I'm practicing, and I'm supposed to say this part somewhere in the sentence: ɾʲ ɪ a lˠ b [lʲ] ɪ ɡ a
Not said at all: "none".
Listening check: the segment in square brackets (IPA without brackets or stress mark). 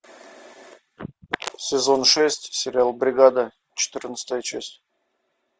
ɾʲ